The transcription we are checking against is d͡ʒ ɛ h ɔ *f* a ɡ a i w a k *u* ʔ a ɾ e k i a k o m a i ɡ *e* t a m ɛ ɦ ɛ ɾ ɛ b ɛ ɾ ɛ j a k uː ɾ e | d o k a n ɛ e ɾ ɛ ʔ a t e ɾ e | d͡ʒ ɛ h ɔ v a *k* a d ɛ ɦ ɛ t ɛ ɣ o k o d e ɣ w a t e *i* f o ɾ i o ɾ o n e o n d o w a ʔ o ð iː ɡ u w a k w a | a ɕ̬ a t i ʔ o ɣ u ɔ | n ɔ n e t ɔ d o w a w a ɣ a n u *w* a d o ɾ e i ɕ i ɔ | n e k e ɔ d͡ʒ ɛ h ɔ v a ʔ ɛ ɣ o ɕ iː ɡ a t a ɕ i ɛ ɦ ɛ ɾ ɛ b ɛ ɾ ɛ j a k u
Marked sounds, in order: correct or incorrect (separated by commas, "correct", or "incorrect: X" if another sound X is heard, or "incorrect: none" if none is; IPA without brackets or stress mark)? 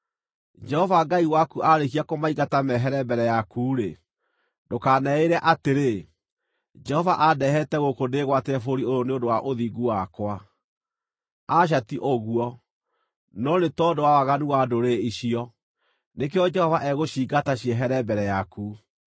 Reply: incorrect: v, correct, incorrect: a, incorrect: ʔ, incorrect: ɛ, correct